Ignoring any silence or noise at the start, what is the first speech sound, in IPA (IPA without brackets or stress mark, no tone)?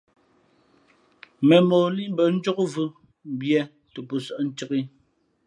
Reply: m